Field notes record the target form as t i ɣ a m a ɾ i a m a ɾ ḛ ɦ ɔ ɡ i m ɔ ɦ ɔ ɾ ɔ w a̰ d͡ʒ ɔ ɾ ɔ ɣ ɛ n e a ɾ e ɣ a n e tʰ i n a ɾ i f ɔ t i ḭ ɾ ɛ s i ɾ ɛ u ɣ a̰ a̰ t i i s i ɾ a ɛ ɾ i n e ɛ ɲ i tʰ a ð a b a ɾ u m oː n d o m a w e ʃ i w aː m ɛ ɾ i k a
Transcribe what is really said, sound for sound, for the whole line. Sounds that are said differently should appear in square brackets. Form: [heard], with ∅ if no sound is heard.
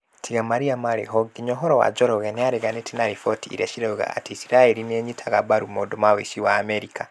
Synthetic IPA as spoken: t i ɣ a m a ɾ i a m a ɾ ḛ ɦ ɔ ɡ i [ɲ] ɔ ɦ ɔ ɾ ɔ w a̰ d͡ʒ ɔ ɾ ɔ ɣ ɛ n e a ɾ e ɣ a n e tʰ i n a ɾ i f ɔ t i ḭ ɾ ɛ [ʃ] i ɾ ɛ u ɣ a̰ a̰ t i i s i ɾ a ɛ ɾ i n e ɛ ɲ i tʰ a [ɣ] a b a ɾ u m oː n d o m a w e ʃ i w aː m ɛ ɾ i k a